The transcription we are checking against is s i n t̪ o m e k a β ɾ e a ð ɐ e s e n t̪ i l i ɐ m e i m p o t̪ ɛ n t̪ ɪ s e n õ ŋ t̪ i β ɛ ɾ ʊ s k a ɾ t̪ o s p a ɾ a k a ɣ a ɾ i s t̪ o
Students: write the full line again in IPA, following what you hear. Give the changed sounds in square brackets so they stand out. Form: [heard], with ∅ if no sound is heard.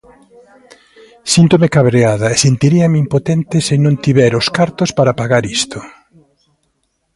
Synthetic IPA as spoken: s i n t̪ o m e k a β ɾ e a ð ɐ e s e n t̪ i [ɾ] i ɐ m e i m p o t̪ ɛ n t̪ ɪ s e n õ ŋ t̪ i β ɛ ɾ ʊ s k a ɾ t̪ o s p a ɾ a [p] a ɣ a ɾ i s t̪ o